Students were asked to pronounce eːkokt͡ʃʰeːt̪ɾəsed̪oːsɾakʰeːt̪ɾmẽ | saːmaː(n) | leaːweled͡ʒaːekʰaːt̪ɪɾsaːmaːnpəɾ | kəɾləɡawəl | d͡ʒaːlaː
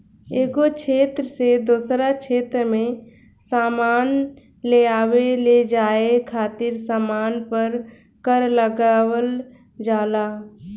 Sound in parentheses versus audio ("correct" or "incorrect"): correct